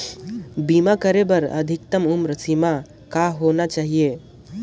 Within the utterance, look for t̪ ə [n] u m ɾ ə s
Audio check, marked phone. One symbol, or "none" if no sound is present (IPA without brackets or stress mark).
m